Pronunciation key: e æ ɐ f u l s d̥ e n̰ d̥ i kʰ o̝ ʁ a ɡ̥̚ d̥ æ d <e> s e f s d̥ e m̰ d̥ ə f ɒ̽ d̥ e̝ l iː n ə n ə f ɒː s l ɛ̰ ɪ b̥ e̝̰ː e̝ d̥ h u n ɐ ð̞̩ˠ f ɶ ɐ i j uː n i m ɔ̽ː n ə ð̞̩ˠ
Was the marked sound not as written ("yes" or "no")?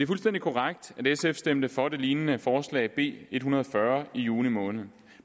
no